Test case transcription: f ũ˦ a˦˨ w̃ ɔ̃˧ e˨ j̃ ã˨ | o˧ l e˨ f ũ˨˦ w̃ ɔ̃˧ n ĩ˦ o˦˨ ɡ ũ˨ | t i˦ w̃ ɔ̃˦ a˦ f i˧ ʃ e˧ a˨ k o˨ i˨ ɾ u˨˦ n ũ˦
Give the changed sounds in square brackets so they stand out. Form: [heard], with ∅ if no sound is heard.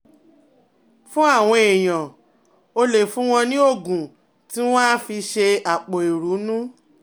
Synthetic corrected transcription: f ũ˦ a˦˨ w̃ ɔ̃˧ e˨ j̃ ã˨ | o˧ l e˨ f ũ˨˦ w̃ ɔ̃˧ n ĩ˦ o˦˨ ɡ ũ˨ | t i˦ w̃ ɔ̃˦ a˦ f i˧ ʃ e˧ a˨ [k͡p] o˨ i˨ ɾ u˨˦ n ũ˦